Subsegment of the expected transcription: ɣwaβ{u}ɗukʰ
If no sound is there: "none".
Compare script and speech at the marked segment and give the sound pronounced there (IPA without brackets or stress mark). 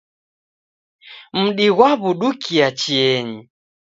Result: u